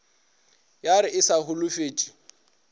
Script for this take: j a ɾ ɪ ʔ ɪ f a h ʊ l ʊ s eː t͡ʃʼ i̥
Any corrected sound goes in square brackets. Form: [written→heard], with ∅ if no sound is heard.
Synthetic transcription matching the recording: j a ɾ ɪ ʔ ɪ [f→s] a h ʊ l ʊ [s→f] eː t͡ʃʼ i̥